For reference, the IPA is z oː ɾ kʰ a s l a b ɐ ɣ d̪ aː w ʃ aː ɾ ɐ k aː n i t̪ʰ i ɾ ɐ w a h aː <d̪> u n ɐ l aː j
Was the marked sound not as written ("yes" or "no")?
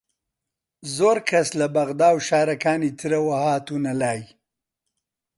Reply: yes